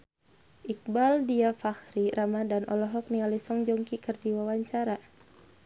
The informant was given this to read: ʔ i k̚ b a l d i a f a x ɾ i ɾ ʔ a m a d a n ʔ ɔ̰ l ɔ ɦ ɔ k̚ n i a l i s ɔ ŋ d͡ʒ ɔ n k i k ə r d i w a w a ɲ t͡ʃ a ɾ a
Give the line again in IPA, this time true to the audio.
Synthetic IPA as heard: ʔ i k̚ b a l d i a f a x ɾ i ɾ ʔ a m a d a n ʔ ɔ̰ l ɔ ɦ ɔ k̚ n i a l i s ɔ ŋ d͡ʒ ɔ ŋ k i k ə r d i w a w a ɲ t͡ʃ a ɾ a